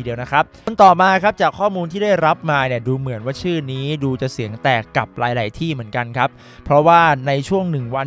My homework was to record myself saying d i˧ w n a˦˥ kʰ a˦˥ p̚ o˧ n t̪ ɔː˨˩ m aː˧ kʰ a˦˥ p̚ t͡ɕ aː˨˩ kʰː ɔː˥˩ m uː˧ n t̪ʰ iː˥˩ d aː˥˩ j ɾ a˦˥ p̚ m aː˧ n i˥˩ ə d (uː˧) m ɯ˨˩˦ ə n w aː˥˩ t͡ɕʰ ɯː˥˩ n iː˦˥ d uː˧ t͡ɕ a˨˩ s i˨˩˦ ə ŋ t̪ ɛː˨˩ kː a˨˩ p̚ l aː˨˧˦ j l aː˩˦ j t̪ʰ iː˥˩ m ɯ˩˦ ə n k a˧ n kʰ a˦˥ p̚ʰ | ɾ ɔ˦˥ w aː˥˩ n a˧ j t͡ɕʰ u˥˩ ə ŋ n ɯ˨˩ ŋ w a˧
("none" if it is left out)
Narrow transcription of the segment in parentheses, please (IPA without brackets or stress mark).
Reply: uː˧